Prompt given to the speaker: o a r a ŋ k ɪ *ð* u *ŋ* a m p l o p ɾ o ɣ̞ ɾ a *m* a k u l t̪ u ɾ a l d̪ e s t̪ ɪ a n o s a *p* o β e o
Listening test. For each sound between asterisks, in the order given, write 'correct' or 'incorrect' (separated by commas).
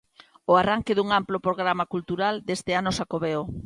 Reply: correct, correct, correct, incorrect